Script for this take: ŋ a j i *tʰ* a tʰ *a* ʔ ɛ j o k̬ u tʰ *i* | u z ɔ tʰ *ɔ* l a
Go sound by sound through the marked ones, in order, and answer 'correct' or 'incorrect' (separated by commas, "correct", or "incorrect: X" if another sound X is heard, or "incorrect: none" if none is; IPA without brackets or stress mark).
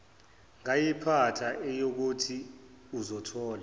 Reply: incorrect: pʰ, correct, correct, incorrect: ɔː